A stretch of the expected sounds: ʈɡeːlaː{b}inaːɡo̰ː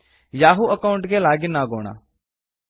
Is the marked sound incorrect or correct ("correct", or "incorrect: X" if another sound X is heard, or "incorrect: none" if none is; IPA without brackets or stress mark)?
incorrect: ɡ